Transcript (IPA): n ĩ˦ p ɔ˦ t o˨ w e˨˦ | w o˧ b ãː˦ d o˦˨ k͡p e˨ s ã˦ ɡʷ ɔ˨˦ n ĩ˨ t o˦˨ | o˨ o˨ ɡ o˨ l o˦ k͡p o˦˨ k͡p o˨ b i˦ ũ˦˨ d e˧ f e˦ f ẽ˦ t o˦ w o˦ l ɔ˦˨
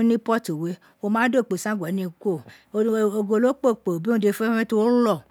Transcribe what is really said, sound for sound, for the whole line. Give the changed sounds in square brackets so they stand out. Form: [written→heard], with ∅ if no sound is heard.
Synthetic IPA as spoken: n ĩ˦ p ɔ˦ t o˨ w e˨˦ | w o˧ [b→m] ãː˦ d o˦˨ k͡p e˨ s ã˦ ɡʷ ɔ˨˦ n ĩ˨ [t→k] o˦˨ | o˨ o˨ ɡ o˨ l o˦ k͡p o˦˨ k͡p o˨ b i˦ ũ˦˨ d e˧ f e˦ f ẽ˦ t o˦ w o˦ l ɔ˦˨